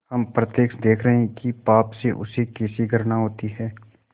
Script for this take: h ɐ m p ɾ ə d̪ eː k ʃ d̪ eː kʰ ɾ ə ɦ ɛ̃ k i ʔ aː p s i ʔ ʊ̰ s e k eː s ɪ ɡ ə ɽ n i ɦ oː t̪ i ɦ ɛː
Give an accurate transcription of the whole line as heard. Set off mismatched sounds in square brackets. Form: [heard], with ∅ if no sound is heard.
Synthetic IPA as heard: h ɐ m p ɾ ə [t̪] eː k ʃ d̪ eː kʰ ɾ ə ɦ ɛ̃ k i [p] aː p s [e] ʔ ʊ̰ s e k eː s [i] ɡ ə [ɾ] n [a] ɦ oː t̪ i ɦ ɛː